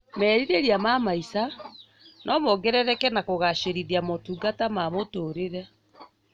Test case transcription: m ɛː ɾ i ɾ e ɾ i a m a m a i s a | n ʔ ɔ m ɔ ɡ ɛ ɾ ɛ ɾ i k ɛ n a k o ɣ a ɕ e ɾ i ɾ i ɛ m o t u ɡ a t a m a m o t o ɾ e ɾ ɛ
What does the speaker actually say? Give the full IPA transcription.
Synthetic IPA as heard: m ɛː ɾ i ɾ e ɾ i a m a m a i s a | n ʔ ɔ m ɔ ɡ ɛ ɾ ɛ ɾ ɛ k ɛ n a k o ɣ a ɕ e ɾ i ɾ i a m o t u ɡ a t a m a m o t o ɾ e ɾ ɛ